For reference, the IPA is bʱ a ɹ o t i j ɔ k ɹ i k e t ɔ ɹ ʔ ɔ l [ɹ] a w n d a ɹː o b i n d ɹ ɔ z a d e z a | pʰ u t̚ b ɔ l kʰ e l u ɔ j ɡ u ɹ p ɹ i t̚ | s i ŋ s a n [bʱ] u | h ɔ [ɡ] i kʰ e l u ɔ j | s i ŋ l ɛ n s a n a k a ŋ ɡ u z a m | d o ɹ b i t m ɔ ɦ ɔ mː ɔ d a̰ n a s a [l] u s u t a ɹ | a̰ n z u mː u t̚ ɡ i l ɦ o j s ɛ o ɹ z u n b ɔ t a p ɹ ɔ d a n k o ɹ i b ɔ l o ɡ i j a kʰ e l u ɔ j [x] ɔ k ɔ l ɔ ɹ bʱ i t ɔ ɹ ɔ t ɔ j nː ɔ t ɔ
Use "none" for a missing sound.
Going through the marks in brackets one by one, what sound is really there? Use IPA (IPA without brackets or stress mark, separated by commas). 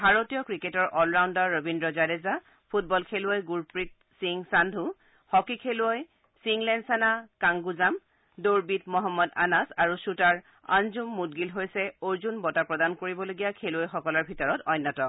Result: ɹ, dʱ, k, ɹ, x